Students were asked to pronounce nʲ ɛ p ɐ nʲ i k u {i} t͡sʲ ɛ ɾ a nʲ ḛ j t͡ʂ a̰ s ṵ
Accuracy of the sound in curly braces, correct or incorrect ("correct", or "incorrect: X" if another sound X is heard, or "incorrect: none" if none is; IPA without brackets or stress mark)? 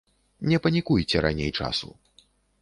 incorrect: j